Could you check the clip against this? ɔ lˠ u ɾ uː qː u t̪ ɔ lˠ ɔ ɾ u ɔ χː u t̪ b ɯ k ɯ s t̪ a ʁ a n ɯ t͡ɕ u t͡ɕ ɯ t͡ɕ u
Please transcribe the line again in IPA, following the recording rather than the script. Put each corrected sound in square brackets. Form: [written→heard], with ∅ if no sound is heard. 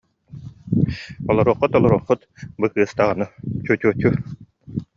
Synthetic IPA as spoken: ɔ lˠ [u→ɔ] ɾ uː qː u t̪ ɔ lˠ ɔ ɾ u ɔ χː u t̪ b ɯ k [ɯ→ɯː] s t̪ a ʁ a n ɯ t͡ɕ u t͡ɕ [ɯ→u] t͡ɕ u